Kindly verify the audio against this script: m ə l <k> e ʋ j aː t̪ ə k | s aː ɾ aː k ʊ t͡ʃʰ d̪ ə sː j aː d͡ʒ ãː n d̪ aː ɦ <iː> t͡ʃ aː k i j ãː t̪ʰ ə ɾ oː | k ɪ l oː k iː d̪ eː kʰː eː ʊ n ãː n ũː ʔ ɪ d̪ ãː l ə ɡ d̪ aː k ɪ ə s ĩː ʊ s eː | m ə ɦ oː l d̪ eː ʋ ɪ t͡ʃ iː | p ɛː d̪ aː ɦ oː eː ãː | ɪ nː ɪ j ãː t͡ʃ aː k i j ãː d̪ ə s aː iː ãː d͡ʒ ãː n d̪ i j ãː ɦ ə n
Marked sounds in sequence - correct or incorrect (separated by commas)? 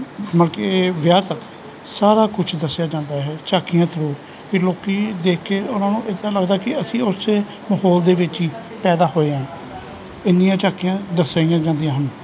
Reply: correct, incorrect